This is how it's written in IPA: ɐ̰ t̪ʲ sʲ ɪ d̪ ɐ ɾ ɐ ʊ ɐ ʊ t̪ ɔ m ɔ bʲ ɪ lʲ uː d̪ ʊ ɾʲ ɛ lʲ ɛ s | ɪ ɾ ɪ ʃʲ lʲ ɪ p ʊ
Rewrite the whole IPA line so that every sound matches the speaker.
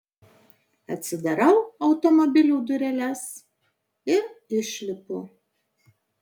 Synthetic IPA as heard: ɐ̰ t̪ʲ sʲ ɪ d̪ ɐ ɾ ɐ ʊ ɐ ʊ t̪ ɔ m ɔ bʲ ɪ lʲ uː d̪ ʊ ɾʲ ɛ lʲ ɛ s | ɪ ɾ ɪ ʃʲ lʲ ɪ p ʊ